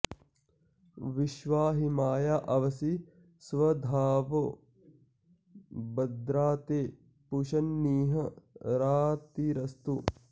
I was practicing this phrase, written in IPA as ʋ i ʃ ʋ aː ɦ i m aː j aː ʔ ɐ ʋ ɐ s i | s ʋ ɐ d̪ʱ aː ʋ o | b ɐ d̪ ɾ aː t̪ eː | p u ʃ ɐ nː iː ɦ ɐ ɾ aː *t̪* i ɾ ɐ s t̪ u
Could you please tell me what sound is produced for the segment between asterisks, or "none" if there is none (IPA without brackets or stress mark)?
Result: t̪